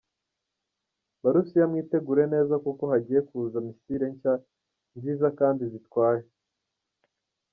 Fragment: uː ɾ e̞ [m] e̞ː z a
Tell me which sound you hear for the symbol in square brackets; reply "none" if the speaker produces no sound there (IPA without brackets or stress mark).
n